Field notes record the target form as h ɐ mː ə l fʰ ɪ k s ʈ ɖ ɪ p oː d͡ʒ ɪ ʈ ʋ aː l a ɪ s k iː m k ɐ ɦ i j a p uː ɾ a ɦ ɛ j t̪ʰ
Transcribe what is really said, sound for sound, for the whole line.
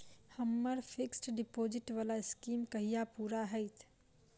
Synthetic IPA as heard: h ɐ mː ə ɾ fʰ ɪ k s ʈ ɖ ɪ p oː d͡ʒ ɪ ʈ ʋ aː l a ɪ s k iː m k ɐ ɦ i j a p uː ɾ a ɦ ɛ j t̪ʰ